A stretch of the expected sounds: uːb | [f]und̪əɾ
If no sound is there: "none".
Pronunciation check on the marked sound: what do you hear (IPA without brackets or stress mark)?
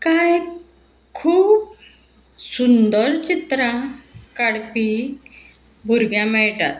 s